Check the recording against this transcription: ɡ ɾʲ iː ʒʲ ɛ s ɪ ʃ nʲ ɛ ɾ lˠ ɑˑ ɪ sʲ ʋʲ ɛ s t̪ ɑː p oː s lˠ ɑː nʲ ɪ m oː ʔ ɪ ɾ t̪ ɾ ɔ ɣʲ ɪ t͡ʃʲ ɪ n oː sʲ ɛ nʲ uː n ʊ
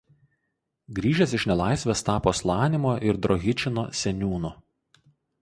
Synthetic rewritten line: ɡ ɾʲ iː ʒʲ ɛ s ɪ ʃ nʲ ɛ lˠ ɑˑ ɪ sʲ ʋʲ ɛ s t̪ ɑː p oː s lˠ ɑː nʲ ɪ m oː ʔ ɪ ɾ d̪ ɾ ɔ ɣʲ ɪ t͡ʃʲ ɪ n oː sʲ ɛ nʲ uː n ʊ

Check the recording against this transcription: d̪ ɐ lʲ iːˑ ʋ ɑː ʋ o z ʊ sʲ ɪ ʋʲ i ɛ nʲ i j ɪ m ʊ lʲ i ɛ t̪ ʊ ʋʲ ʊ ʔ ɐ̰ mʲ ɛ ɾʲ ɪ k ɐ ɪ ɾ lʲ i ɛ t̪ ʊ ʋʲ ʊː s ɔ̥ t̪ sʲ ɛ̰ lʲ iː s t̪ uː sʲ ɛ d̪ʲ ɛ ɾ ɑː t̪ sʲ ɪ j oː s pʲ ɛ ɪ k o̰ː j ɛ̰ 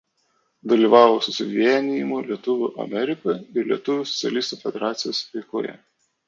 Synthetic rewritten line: d̪ ɐ lʲ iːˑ ʋ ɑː ʋ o s ʊ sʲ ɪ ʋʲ i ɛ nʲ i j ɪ m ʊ lʲ i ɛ t̪ ʊ ʋʲ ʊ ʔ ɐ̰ mʲ ɛ ɾʲ ɪ k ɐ ɪ ɾ lʲ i ɛ t̪ ʊ ʋʲ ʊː s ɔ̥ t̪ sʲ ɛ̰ lʲ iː s t̪ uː fʲ ɛ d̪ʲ ɛ ɾ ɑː t̪ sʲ ɪ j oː s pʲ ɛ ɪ k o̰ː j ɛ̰

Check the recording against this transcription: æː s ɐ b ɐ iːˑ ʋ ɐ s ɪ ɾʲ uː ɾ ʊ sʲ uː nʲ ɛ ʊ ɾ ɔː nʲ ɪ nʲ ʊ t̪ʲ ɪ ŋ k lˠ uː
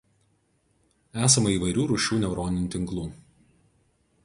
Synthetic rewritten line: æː s ɐ m ɐ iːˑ ʋ ɐ ɪ ɾʲ uː ɾ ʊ ʃʲ uː nʲ ɛ ʊ ɾ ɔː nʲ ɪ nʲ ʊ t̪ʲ ɪ ŋ k lˠ uː

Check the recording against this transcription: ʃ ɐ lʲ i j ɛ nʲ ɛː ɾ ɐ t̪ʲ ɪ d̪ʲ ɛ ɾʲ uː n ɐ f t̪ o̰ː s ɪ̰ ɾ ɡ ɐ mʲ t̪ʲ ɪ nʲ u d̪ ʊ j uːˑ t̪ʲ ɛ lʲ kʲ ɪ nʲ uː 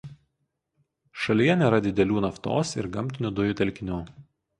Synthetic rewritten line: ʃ ɐ lʲ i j ɛ nʲ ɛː ɾ ɐ d̪ʲ ɪ d̪ʲ ɛ lʲ uː n ɐ f t̪ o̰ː s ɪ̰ ɾ ɡ ɐ mʲ t̪ʲ ɪ nʲ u d̪ ʊ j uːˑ t̪ʲ ɛ lʲ kʲ ɪ nʲ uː

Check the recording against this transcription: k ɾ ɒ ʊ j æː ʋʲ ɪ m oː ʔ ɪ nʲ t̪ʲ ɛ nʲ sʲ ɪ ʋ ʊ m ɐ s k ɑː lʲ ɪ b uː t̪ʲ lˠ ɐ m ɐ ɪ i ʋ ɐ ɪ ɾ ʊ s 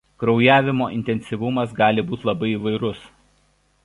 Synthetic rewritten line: k ɾ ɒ ʊ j æː ʋʲ ɪ m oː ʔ ɪ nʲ t̪ʲ ɛ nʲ sʲ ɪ ʋ ʊ m ɐ s ɡ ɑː lʲ ɪ b uː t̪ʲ lˠ ɐ b ɐ ɪ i ʋ ɐ ɪ ɾ ʊ s

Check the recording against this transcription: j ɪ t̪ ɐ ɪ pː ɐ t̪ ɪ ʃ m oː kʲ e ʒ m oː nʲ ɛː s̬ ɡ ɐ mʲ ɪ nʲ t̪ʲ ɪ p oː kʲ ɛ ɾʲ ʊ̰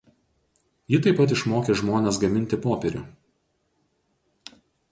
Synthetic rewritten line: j ɪ t̪ ɐ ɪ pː ɐ t̪ ɪ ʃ m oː kʲ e ʒ m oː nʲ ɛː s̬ ɡ ɐ mʲ ɪ nʲ t̪ʲ ɪ p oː pʲ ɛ ɾʲ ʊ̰

